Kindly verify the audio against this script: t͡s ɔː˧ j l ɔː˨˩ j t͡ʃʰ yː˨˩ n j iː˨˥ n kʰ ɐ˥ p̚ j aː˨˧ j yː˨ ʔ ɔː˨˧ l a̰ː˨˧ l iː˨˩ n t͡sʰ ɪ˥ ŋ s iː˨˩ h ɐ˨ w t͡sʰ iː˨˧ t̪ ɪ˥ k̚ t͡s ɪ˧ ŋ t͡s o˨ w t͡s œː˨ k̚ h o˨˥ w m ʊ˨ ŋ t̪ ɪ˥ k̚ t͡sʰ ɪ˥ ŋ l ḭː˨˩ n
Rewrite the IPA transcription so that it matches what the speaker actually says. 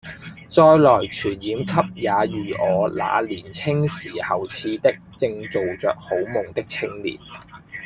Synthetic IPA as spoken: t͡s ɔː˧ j l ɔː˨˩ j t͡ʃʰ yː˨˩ n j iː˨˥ m kʰ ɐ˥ p̚ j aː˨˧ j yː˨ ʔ ɔː˨˧ l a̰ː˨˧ l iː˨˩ n t͡sʰ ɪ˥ ŋ s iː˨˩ h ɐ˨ w t͡sʰ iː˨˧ t̪ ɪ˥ k̚ t͡s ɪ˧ ŋ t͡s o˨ w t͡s œː˨ k̚ h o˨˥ w m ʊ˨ ŋ t̪ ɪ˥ k̚ t͡sʰ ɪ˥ ŋ l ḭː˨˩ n

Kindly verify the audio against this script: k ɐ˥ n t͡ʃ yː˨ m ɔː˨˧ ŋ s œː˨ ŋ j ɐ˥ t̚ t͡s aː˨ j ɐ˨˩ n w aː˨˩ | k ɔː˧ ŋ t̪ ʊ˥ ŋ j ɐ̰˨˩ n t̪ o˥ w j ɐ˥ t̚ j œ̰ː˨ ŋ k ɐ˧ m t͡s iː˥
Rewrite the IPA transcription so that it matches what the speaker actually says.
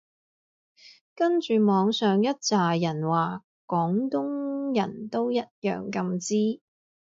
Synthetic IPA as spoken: k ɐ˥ n t͡ʃ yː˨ m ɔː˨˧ ŋ s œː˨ ŋ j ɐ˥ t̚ t͡s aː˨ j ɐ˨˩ n w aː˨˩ | k ɔː˨˥ ŋ t̪ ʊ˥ ŋ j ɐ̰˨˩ n t̪ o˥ w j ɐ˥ t̚ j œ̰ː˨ ŋ k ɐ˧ m t͡s iː˥

